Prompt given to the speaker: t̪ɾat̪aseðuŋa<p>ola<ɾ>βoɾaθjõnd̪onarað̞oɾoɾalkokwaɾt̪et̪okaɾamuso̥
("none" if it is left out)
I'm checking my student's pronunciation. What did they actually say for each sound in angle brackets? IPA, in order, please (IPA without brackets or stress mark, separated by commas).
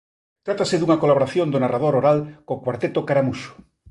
k, none